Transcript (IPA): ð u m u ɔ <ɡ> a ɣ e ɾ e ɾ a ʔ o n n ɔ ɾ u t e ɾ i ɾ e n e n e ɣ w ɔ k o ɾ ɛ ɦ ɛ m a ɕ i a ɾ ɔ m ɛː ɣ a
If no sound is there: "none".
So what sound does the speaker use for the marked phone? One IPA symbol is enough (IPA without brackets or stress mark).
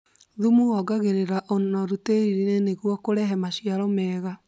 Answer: ɡ